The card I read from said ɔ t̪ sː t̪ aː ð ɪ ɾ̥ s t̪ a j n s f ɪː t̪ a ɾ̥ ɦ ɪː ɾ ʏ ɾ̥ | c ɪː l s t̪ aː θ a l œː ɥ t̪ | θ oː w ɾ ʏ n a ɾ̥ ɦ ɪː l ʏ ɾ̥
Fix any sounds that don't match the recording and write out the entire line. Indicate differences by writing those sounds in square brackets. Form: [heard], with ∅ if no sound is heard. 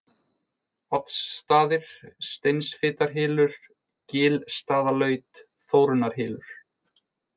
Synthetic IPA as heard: ɔ t̪ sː t̪ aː ð ɪ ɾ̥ s t̪ [e] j n s f ɪː t̪ a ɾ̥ ɦ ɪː [l] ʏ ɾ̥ | c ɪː l s t̪ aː [ð] a l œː ɥ t̪ | θ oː w ɾ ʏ n a ɾ̥ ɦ ɪː l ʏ ɾ̥